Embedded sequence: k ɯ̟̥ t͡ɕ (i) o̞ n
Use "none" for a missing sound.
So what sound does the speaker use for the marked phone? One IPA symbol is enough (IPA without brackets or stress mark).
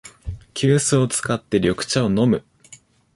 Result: a